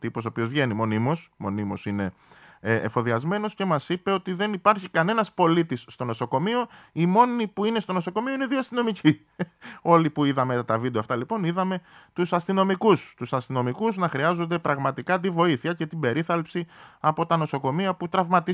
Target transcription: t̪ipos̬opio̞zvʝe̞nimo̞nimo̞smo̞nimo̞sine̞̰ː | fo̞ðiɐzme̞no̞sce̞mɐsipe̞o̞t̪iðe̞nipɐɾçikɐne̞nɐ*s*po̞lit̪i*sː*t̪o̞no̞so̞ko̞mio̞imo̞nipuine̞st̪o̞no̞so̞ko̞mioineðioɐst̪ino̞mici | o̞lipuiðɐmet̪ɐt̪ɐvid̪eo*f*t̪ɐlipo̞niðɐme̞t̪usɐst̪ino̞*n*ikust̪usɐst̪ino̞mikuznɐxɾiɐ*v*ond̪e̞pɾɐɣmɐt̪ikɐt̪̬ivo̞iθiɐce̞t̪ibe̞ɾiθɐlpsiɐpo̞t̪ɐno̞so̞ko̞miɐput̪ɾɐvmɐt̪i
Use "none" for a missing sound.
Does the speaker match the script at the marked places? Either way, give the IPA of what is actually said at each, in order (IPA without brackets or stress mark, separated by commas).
s, sː, f, m, z